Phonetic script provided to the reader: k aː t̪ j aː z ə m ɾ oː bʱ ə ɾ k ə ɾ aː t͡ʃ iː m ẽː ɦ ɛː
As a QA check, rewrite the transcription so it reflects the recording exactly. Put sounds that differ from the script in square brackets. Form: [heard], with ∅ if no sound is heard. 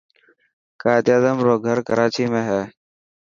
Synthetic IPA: k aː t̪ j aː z ə m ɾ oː [ɡʱ] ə ɾ k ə ɾ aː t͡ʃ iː m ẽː ɦ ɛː